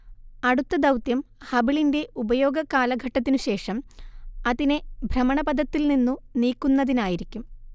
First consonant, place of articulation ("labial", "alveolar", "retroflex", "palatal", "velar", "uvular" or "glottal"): retroflex